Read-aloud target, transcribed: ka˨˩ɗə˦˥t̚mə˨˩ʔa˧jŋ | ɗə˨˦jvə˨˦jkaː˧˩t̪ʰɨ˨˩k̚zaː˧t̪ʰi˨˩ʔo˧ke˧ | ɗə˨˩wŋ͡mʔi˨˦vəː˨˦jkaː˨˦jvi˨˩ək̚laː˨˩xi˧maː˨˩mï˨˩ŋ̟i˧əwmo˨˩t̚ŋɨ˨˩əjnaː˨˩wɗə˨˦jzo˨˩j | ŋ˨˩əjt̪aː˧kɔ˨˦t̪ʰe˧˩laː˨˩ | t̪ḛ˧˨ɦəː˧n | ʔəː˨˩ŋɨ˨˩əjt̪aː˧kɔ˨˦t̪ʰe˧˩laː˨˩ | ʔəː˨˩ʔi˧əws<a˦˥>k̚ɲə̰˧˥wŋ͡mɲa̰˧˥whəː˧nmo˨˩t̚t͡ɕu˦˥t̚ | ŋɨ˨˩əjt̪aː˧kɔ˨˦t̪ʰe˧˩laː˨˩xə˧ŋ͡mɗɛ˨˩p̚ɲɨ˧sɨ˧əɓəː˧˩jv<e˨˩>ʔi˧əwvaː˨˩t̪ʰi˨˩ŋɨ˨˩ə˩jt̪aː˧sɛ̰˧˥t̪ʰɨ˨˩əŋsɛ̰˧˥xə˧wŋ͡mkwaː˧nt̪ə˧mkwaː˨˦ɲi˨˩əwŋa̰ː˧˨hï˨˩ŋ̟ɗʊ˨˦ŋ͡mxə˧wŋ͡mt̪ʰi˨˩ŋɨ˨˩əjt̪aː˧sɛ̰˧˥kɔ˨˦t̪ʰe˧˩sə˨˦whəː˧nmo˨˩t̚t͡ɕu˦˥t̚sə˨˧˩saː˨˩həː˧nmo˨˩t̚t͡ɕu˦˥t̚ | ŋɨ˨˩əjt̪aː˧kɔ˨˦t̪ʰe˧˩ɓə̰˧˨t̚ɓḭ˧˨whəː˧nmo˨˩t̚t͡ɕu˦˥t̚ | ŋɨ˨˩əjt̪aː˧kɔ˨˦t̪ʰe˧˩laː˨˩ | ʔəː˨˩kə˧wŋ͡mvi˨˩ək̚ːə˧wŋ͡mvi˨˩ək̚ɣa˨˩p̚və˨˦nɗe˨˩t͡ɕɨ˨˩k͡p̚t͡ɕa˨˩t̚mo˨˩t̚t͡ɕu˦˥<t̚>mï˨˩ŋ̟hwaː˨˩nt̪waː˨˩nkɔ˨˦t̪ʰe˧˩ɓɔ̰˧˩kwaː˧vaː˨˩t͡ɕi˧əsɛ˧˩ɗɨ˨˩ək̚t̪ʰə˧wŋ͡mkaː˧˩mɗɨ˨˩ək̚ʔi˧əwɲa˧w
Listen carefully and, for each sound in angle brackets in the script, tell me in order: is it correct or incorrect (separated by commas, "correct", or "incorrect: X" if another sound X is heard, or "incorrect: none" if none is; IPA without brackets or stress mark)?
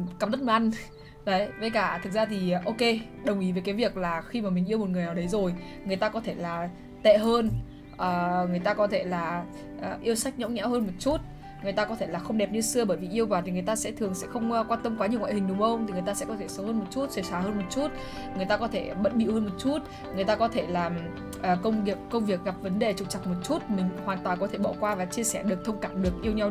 correct, incorrect: i˨˩, correct